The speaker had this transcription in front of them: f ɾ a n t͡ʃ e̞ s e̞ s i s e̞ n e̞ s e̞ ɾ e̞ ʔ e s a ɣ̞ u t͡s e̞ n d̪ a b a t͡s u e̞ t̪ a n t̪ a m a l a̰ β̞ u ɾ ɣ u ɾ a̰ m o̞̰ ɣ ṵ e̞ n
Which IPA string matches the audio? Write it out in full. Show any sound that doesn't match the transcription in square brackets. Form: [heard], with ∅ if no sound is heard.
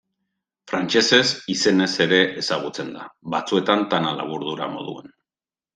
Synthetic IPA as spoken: f ɾ a n t͡ʃ e̞ s e̞ s i s e̞ n e̞ s e̞ ɾ e̞ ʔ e s a ɣ̞ u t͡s e̞ n d̪ a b a t͡s u e̞ t̪ a n t̪ a [n] a l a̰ β̞ u ɾ [ð] u ɾ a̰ m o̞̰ [ð] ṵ e̞ n